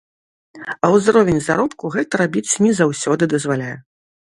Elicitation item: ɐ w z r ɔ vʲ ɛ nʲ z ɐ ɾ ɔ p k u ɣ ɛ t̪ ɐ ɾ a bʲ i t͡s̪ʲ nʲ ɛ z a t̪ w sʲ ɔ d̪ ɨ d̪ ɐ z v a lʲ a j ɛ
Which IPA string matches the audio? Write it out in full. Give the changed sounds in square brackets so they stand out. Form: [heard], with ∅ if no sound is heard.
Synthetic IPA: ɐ w z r ɔ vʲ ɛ nʲ z [a] ɾ ɔ p k u ɣ ɛ t̪ ɐ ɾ a bʲ i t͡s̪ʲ nʲ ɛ z a [∅] w sʲ ɔ d̪ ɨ d̪ ɐ z v a lʲ a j ɛ